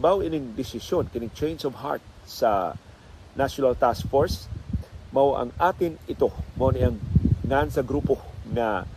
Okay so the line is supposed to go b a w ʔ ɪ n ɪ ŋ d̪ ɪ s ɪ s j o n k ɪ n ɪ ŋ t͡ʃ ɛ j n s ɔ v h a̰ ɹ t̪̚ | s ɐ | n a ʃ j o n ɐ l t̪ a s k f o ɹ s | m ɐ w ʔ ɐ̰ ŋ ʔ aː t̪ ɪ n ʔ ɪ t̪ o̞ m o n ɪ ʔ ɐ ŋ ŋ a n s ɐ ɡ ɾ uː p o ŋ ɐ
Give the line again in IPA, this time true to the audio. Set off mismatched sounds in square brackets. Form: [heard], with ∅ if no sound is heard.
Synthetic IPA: b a w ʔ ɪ n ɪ ŋ d̪ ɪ s ɪ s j o n k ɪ n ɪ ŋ t͡ʃ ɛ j n s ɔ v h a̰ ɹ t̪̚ | s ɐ | n a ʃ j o n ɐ l t̪ a s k f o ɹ s | m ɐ w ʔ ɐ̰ ŋ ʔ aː t̪ ɪ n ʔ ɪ t̪ o̞ m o n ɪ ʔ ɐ ŋ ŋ a n s ɐ ɡ ɾ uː p o ŋ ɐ